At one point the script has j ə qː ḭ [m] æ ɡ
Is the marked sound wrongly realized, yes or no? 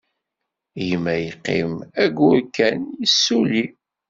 no